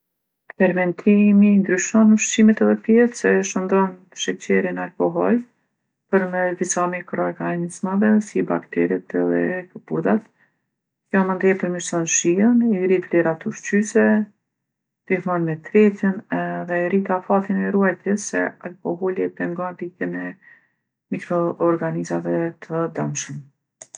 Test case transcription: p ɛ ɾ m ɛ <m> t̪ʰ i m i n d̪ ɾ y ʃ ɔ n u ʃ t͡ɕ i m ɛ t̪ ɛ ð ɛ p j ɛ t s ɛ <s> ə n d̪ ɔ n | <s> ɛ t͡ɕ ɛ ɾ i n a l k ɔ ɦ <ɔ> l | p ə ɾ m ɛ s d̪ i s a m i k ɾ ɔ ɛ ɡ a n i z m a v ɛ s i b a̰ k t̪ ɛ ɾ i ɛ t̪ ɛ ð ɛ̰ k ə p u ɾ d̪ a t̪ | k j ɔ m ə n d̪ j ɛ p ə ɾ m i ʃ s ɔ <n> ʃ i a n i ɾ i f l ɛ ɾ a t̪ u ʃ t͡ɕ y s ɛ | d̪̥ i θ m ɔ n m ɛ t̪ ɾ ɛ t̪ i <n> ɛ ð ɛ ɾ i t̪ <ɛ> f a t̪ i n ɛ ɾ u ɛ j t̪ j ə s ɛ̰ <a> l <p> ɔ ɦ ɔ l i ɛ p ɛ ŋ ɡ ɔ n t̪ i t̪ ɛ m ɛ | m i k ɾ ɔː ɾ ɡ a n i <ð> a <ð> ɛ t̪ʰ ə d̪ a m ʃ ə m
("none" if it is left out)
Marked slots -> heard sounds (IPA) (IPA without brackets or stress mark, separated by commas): n, ʃ, ʃ, ɔ, n, n, a, a, k, z, v